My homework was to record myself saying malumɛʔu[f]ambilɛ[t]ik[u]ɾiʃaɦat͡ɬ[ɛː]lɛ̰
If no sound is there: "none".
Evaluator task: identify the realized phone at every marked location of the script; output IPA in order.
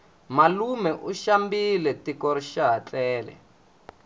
ʃ, t, ɔ, ɛː

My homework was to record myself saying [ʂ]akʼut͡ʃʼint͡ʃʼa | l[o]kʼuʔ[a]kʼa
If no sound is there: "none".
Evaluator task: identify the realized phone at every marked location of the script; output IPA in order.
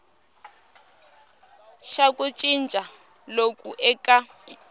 ʃ, o, ɛ

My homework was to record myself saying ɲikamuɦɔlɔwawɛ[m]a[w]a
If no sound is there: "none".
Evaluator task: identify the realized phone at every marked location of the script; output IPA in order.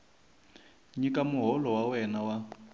n, w

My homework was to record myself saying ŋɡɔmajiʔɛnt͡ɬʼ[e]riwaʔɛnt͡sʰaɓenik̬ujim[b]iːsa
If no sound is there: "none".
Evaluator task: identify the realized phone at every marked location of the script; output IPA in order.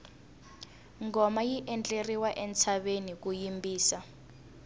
e, b

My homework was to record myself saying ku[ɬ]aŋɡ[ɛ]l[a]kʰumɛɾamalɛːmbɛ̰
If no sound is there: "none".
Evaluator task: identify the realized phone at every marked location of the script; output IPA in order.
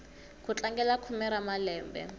t͡ɬ, ɛ, a

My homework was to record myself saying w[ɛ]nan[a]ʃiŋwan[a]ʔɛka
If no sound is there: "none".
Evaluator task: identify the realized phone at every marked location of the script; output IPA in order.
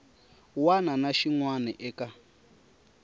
a, a, ɛ

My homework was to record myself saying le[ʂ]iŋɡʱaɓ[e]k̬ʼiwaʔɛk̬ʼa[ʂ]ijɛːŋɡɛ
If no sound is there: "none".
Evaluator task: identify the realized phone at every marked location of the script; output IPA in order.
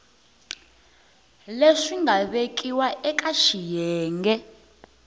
ʂ, e, ʃ

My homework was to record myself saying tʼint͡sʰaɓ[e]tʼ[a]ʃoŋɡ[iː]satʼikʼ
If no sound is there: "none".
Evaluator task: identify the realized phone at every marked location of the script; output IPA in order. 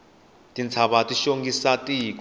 a, i, i

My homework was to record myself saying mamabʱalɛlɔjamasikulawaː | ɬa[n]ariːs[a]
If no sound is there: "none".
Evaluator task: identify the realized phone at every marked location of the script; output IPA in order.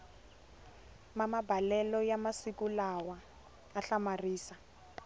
m, a

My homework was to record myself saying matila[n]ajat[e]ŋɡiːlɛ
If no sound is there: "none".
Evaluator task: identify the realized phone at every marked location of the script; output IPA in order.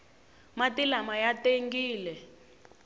m, e

